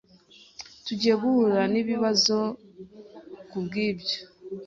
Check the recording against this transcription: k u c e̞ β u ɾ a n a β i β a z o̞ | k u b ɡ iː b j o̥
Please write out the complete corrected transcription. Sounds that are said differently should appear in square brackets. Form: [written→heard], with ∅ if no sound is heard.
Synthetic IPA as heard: [k→t] u [c→ɟ] e̞ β u ɾ a n [a→i] β i β a z o̞ | k u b ɡ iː b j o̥